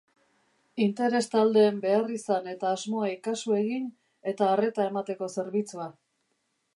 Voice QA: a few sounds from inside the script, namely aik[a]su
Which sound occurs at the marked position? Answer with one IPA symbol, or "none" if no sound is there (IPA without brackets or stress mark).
a